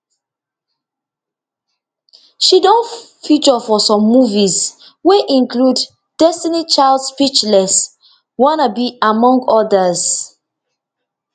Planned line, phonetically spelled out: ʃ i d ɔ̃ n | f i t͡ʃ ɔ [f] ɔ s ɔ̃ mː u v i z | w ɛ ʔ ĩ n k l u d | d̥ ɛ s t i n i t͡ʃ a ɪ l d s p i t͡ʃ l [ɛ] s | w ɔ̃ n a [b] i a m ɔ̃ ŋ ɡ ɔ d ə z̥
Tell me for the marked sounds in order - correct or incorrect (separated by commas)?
correct, correct, correct